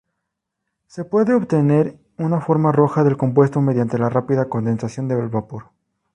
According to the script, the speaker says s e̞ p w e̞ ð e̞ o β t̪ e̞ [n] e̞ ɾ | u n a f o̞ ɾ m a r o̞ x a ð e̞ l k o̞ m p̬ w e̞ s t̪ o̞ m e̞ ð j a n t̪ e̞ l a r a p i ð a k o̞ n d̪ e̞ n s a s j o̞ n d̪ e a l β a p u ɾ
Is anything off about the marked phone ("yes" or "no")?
no